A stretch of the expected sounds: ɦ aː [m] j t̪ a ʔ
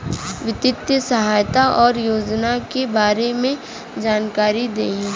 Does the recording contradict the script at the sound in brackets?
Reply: yes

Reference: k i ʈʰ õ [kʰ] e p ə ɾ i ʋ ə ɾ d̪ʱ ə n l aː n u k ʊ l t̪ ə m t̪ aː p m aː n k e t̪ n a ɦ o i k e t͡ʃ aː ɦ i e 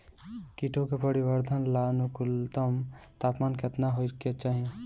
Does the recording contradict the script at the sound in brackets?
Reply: yes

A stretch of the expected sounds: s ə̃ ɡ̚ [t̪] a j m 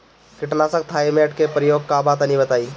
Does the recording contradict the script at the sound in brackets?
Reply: yes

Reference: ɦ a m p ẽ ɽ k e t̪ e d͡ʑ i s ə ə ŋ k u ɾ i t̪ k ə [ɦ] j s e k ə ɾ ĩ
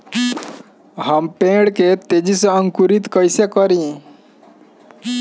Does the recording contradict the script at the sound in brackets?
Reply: yes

